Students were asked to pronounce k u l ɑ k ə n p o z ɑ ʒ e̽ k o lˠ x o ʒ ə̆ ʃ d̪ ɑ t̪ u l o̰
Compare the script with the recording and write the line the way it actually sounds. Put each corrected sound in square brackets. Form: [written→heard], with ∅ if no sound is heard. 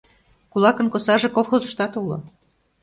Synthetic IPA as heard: k u l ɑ k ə n [p→k] o [z→s] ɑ ʒ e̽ k o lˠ x o [ʒ→z] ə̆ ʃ [d̪→t̪] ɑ t̪ u l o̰